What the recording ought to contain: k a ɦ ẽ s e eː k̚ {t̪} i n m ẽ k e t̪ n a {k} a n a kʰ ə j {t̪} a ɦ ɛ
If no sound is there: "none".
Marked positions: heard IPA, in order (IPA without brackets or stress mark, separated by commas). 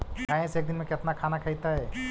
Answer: d̪, kʰ, t̪